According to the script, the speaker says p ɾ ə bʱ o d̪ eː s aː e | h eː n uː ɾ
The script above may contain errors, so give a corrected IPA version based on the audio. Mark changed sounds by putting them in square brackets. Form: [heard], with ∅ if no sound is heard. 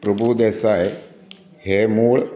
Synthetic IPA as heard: p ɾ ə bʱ [u] d̪ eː s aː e | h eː [m] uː [ɭ]